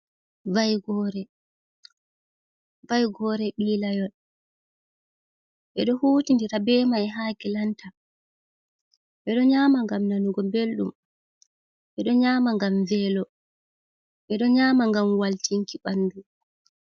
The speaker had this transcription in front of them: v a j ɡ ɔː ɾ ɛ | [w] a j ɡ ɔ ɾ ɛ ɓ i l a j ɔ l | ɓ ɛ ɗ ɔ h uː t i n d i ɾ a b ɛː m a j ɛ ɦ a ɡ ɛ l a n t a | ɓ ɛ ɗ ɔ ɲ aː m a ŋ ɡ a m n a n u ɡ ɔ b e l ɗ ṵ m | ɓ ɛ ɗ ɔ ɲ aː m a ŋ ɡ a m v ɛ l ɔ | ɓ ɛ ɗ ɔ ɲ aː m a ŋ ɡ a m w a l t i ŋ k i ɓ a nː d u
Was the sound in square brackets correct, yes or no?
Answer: no